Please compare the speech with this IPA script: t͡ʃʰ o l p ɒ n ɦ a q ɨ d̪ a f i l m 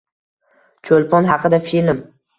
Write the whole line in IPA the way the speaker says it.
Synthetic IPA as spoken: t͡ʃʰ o l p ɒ n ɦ ɑ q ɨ d̪ a f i l m